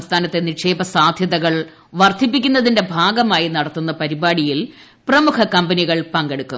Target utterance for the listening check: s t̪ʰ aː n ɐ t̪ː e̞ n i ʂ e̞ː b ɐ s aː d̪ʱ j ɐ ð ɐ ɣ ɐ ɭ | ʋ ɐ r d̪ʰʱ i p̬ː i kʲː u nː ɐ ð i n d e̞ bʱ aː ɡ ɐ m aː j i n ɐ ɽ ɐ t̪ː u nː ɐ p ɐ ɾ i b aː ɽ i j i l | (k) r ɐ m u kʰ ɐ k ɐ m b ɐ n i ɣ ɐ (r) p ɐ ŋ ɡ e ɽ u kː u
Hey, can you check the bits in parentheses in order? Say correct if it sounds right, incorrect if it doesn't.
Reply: incorrect: p, incorrect: ɭ

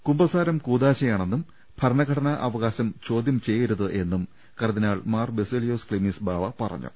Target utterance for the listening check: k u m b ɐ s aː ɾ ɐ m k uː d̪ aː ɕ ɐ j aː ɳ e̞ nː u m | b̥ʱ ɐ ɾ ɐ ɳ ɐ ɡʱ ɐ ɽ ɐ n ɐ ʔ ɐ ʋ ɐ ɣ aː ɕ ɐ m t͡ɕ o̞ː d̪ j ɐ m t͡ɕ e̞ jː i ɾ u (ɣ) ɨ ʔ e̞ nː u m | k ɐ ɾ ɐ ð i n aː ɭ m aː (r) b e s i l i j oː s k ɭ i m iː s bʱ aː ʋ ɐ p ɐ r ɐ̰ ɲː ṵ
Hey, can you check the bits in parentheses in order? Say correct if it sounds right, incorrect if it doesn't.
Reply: incorrect: ð, correct

